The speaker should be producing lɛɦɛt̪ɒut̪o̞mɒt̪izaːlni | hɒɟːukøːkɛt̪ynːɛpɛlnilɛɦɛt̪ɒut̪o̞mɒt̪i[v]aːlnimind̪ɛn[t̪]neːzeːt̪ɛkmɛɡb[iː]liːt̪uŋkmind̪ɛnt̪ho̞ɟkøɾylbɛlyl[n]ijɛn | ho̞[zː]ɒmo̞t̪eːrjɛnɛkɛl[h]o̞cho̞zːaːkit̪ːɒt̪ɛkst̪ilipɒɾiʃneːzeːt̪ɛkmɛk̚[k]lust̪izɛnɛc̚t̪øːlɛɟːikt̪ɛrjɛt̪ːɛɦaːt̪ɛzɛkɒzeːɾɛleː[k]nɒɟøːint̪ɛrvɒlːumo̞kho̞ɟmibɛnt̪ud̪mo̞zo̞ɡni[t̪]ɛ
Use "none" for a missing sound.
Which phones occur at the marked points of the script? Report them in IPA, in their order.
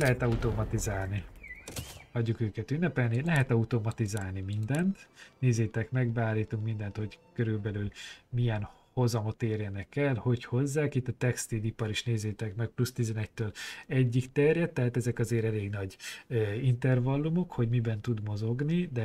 z, t̪, aː, m, z, h, p, ɡ, d̪

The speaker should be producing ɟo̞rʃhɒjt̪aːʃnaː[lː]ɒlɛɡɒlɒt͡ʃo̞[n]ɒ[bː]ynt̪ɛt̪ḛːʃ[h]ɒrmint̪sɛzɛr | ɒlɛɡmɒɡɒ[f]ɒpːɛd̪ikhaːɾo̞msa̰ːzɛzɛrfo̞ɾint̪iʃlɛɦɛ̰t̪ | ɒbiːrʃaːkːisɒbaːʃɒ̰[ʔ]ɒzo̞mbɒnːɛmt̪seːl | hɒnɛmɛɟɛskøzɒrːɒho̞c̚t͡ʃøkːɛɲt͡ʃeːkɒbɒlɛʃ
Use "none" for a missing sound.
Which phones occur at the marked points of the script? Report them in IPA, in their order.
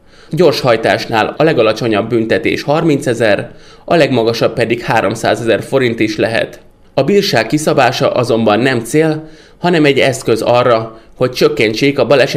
l, ɲ, bː, h, ʃ, ʔ

